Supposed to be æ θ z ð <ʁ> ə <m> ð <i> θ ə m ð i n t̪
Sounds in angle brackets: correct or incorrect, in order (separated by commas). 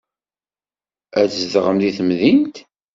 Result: correct, correct, correct